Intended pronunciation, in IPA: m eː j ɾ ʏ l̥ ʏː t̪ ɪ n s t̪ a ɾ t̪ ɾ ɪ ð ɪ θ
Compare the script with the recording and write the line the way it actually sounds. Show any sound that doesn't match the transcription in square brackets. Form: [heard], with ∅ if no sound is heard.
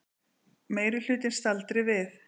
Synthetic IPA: m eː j ɾ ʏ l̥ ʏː t̪ ɪ n s t̪ a [l] t̪ ɾ ɪ [v] ɪ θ